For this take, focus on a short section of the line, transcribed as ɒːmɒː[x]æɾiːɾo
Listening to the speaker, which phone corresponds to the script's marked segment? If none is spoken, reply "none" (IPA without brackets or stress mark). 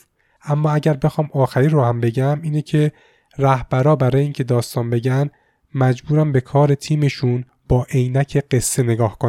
x